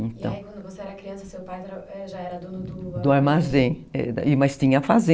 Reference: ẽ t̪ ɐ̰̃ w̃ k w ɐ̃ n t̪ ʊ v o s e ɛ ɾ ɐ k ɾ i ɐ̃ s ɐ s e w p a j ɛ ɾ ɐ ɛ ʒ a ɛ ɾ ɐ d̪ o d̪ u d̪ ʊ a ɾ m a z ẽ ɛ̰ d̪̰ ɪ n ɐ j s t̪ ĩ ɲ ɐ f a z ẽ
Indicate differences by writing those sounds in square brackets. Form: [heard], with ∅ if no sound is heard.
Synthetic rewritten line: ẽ t̪ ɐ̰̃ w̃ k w ɐ̃ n [d̪] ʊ v o s e ɛ ɾ ɐ k ɾ i ɐ̃ s ɐ s e w p a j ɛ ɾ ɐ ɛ ʒ a ɛ ɾ ɐ d̪ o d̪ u d̪ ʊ a ɾ m a z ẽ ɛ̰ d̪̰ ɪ [m] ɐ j s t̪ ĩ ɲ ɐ f a z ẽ